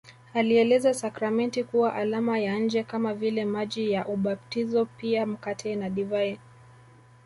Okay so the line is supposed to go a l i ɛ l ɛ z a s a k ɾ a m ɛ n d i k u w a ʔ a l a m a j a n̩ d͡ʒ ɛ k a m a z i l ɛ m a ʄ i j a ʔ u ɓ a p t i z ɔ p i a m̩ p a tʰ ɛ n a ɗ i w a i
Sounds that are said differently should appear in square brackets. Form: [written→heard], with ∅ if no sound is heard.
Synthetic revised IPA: a l i ɛ l ɛ z a s a k ɾ a m ɛ n [d→t] i k u w a ʔ a l a m a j a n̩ d͡ʒ ɛ k a m a [z→v] i l ɛ m a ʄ i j a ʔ u ɓ a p t i z ɔ p i a m̩ [p→k] a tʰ ɛ n a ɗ i [w→v] a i